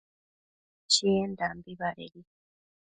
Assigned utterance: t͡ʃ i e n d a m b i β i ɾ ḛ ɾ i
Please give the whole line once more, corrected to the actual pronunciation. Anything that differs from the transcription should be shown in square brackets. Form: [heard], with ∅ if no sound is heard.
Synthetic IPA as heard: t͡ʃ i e n d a m b i β [a] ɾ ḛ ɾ i